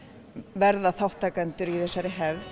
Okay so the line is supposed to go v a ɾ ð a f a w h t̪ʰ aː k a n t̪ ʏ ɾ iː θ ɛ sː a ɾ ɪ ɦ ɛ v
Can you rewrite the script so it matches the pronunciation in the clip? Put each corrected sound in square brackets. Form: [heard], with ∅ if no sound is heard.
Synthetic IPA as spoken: v [ɛ] ɾ ð a [θ] a w h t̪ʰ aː k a n t̪ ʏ ɾ [i] θ ɛ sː a ɾ ɪ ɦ ɛ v